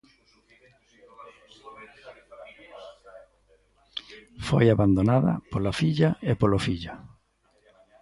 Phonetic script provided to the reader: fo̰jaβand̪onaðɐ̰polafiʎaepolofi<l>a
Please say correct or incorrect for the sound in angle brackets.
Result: incorrect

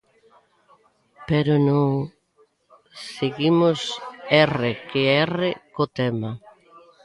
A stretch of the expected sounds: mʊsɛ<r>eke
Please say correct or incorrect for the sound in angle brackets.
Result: correct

